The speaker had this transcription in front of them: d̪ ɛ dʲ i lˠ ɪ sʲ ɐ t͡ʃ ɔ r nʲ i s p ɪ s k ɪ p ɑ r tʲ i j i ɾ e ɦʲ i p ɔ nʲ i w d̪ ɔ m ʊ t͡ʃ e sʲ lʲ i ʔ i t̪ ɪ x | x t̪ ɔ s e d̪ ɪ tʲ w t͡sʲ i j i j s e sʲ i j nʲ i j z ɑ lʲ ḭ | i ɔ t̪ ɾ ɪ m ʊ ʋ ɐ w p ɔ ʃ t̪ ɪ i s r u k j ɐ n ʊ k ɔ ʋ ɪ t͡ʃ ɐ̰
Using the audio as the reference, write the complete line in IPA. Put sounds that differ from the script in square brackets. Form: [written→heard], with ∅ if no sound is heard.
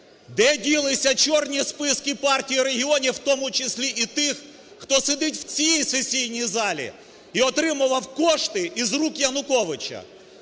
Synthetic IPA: d̪ ɛ dʲ i lˠ ɪ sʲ ɐ t͡ʃ ɔ r nʲ i s p ɪ s k ɪ p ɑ r tʲ i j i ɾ e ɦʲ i [p→∅] ɔ nʲ i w [d̪→t̪] ɔ m ʊ t͡ʃ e sʲ lʲ i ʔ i t̪ ɪ x | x t̪ ɔ s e d̪ ɪ tʲ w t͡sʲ i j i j s e sʲ i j nʲ i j z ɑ lʲ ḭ | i ɔ t̪ ɾ ɪ m ʊ ʋ ɐ w [p→k] ɔ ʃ t̪ ɪ i [s→z] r u k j ɐ n ʊ k ɔ ʋ ɪ t͡ʃ ɐ̰